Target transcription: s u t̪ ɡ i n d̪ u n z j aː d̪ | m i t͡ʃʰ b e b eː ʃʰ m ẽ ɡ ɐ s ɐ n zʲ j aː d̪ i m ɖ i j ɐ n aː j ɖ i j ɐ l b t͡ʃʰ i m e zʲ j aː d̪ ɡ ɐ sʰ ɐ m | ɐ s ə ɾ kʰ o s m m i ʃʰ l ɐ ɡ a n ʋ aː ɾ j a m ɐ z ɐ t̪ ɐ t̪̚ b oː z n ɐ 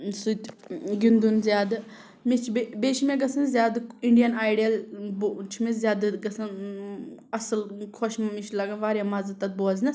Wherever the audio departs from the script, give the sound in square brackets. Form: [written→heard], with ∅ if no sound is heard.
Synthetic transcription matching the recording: s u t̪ ɡ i n d̪ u n z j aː d̪ | m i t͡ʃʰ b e b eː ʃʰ m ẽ ɡ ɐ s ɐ n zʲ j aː d̪ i [m→ɳ] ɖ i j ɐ n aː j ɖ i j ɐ l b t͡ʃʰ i m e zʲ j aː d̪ ɡ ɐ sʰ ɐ [m→n] | ɐ s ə [ɾ→l] kʰ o [s→ʃ] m m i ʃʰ l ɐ ɡ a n ʋ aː ɾ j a m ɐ z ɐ t̪ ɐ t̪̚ b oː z n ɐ